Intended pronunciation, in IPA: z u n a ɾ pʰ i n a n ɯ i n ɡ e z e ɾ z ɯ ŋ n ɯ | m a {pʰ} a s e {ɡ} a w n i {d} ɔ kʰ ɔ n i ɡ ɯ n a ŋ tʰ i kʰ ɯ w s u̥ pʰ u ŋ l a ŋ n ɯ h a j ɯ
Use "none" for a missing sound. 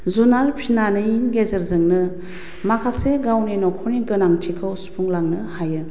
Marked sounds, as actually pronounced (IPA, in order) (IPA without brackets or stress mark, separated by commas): kʰ, ɡ, n